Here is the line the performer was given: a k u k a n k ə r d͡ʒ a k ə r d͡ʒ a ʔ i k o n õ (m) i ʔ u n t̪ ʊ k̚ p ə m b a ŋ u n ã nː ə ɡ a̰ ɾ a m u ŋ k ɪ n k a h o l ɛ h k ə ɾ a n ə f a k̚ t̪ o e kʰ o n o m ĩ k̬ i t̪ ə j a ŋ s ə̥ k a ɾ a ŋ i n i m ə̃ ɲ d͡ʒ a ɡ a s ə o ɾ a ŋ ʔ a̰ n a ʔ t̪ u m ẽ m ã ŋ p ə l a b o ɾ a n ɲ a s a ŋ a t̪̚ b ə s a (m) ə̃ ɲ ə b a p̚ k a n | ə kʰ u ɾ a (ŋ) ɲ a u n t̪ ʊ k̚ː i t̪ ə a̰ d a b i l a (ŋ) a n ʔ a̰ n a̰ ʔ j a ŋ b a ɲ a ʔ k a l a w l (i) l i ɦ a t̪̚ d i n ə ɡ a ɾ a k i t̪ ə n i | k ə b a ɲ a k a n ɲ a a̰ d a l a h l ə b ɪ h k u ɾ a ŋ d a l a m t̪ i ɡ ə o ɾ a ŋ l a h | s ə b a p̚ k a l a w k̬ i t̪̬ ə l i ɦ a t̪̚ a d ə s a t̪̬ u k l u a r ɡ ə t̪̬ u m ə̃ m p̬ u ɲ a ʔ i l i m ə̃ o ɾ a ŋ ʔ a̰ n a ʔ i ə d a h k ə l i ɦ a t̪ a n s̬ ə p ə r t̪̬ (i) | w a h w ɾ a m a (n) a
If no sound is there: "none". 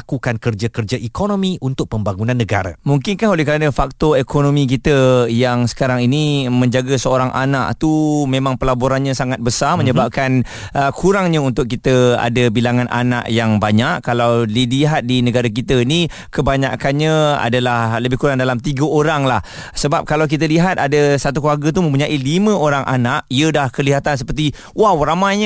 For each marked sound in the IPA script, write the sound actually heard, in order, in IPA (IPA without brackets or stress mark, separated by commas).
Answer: m, m, ŋ, ŋ, i, i, ɲ